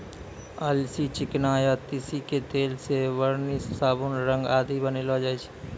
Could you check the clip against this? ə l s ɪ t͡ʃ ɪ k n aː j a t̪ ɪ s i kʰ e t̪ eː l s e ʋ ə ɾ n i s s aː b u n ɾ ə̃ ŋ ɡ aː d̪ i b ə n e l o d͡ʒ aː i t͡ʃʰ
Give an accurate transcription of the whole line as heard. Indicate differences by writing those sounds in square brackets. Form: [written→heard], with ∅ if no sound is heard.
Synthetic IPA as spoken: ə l s [ɪ→i] t͡ʃ ɪ k n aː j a t̪ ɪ s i [kʰ→k] e t̪ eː l s e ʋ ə ɾ n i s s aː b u n ɾ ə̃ ŋ ɡ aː d̪ i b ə n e l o d͡ʒ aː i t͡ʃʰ